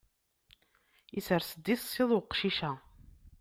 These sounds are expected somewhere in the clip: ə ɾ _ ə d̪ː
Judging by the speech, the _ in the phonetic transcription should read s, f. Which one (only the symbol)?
s